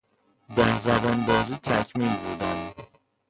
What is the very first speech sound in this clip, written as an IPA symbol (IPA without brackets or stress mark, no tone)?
d̪